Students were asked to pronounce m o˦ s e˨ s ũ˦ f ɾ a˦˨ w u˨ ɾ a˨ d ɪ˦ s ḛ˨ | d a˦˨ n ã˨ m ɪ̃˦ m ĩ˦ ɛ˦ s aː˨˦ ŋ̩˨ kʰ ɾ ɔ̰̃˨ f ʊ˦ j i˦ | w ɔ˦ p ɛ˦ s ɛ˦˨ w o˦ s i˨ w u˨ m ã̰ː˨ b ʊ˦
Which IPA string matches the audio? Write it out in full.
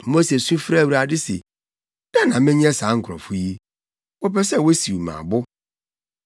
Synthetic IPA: m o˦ s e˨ s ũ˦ f ɾ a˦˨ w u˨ ɾ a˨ d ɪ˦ s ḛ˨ | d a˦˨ n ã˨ m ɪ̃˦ ɲ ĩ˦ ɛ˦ s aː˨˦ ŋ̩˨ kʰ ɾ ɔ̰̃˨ f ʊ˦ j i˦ | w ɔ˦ p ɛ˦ s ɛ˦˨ w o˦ s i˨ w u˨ m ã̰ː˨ b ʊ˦